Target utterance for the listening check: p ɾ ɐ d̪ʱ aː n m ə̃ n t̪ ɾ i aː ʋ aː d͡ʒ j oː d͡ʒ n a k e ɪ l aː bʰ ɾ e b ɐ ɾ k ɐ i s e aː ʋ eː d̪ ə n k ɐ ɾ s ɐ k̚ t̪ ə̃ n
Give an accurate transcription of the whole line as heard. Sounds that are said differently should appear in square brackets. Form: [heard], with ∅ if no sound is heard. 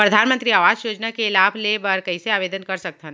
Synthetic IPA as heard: p ɾ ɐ d̪ʱ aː n m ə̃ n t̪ ɾ i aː ʋ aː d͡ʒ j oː d͡ʒ n a k e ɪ l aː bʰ [l] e b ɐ ɾ k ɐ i s e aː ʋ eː d̪ ə n k ɐ ɾ s ɐ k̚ t̪ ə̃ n